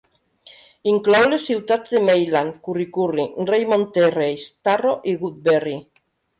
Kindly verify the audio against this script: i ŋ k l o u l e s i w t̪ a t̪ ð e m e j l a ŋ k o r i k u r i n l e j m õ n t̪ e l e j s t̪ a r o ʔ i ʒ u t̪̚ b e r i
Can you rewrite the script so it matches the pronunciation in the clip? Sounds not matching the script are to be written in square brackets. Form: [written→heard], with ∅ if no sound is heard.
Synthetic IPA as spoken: i ŋ k l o [u→w] l e s i w t̪ a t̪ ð e m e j l a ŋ k [o→u] r i k u r i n [l→r] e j m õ n t̪ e [l→r] e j s t̪ a r o ʔ i [ʒ→ɣ] u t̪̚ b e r i